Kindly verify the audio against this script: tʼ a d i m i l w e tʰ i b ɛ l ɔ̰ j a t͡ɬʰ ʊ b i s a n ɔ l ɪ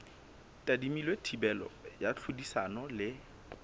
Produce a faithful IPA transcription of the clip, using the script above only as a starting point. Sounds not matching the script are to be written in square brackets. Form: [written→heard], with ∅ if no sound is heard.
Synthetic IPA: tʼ a d i m i l w e tʰ i b ɛ l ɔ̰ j a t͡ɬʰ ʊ [b→d] i s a n ɔ l ɪ